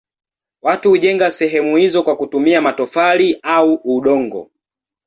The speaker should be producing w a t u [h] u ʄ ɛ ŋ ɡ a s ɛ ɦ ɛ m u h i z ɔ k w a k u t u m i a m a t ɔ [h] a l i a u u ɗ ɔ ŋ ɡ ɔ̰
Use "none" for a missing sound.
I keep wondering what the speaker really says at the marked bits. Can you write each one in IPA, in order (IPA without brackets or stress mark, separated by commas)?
h, f